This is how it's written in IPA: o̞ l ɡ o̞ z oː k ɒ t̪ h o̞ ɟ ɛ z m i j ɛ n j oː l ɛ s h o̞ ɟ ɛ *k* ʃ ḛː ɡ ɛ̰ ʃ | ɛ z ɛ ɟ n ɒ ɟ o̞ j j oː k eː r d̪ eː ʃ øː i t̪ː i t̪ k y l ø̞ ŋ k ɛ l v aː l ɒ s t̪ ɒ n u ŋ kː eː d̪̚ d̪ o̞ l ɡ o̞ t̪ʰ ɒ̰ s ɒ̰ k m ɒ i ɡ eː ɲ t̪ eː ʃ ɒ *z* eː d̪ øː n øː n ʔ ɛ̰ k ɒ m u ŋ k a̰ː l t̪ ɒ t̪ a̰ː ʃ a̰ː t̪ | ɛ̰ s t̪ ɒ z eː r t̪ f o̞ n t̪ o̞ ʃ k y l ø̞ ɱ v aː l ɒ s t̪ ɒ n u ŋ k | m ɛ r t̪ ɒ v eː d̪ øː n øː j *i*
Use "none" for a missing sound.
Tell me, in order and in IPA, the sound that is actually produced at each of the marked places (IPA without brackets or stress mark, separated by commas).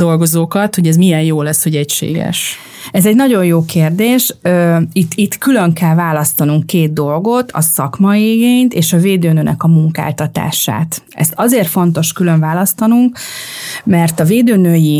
c, v, i